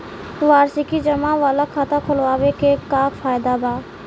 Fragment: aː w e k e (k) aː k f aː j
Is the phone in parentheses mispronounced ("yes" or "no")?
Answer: no